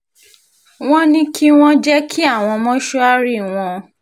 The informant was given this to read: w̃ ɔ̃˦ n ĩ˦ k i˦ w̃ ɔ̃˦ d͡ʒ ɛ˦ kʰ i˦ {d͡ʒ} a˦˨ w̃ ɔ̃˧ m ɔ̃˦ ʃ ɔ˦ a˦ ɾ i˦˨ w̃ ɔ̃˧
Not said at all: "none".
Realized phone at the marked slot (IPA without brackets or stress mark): none